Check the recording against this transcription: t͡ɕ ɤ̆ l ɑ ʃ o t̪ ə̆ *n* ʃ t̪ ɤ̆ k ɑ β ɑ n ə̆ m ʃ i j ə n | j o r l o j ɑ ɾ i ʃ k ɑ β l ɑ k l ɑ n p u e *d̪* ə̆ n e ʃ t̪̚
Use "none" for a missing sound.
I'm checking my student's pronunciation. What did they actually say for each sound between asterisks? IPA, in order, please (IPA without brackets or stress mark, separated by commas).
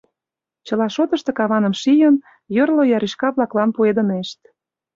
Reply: none, d̪